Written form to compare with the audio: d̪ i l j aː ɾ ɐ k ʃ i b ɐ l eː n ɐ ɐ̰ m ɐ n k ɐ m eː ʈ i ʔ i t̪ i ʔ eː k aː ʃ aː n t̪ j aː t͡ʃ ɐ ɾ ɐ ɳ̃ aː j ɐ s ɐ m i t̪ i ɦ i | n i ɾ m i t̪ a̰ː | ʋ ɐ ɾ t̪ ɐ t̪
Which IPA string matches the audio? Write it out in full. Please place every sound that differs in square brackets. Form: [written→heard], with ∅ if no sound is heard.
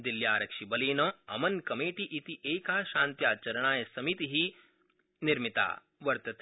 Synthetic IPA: d̪ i l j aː ɾ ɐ k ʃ i b ɐ l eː n ɐ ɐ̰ m ɐ n k ɐ m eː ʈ i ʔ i t̪ i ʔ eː k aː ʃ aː n t̪ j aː t͡ʃ ɐ ɾ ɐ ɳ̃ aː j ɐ s ɐ m i t̪ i ɦ i | n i ɾ m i t̪ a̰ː | ʋ ɐ ɾ t̪ ɐ t̪